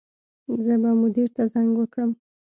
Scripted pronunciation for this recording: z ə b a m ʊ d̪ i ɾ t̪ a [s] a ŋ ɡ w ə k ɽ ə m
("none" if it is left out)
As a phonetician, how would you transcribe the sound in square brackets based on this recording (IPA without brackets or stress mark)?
z